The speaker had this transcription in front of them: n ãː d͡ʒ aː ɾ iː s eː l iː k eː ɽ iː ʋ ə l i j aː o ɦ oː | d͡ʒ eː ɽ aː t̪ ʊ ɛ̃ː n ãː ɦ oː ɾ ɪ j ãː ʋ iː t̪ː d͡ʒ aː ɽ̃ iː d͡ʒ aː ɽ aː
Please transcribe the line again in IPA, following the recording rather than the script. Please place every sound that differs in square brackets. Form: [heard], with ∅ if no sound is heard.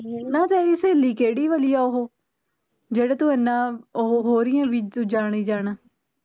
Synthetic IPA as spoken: n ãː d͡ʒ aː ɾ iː s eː l iː k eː ɽ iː ʋ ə l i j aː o ɦ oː | d͡ʒ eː ɽ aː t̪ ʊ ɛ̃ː n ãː ɦ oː ɾ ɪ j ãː ʋ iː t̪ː d͡ʒ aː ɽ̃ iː d͡ʒ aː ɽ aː